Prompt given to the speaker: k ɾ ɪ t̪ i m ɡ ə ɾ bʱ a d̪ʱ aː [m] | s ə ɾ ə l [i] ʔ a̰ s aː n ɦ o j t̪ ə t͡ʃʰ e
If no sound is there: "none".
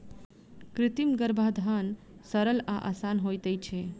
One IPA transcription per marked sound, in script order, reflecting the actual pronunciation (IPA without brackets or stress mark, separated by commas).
n, a